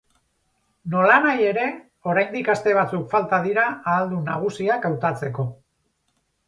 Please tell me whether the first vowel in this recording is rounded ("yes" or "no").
yes